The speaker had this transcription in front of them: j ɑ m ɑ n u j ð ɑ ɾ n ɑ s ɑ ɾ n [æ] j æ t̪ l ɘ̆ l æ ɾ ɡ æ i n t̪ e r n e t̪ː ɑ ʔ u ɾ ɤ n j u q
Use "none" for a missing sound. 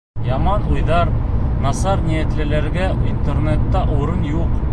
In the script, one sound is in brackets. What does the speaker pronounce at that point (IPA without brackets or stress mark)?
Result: i